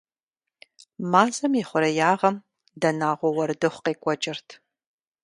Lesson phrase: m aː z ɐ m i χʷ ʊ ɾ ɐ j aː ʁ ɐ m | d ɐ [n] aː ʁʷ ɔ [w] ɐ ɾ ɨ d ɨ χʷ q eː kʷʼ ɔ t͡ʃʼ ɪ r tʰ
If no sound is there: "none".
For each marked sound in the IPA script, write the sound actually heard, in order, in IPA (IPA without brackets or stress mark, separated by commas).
n, w